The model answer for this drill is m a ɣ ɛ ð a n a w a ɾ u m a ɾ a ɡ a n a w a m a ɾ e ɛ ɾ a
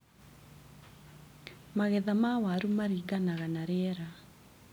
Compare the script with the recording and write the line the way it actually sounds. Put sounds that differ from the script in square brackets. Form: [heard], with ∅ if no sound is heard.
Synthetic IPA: m a ɣ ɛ ð a [m] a w a ɾ u m a ɾ [i] ɡ a n a [ɣ] a [n] a ɾ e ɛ ɾ a